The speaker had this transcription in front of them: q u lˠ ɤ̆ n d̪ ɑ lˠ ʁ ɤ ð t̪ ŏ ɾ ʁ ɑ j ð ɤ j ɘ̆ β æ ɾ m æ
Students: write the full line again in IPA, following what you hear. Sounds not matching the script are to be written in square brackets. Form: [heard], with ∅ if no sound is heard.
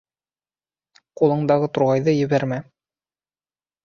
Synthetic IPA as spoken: q u lˠ ɤ̆ [ɴ] d̪ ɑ [∅] ʁ ɤ [∅] t̪ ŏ ɾ ʁ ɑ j ð ɤ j ɘ̆ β æ ɾ m æ